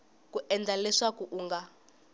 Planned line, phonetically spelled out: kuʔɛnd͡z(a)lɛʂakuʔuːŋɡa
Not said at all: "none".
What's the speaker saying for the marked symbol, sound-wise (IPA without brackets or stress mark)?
a